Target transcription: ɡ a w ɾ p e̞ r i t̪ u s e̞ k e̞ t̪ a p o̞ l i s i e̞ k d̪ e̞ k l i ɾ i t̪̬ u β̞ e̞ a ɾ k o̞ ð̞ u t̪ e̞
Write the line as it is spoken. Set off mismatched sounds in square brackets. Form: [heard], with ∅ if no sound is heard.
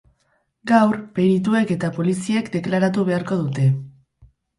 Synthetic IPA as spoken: ɡ a w ɾ p e̞ [ɾ] i t̪ u [∅] e̞ k e̞ t̪ a p o̞ l i s i e̞ k d̪ e̞ k l [a] ɾ [a] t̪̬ u β̞ e̞ a ɾ k o̞ ð̞ u t̪ e̞